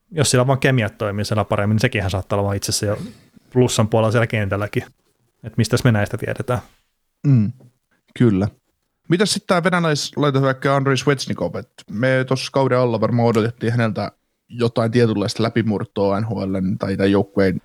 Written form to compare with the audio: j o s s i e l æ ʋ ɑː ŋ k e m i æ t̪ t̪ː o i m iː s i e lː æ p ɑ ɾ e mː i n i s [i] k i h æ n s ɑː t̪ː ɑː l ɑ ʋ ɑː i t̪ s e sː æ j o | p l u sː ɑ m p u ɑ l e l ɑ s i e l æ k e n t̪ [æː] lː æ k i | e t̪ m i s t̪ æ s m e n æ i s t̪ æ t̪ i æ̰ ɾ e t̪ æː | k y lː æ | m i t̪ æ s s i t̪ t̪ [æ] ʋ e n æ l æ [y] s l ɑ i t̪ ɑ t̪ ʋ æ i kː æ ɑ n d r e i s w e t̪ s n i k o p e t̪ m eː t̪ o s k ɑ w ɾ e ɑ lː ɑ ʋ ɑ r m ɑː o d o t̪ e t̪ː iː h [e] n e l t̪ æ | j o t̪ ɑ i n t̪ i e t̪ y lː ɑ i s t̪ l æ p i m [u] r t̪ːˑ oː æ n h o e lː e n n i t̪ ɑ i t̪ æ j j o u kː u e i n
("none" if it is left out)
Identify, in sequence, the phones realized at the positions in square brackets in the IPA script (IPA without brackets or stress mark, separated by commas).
e, æ, æː, i, æ, u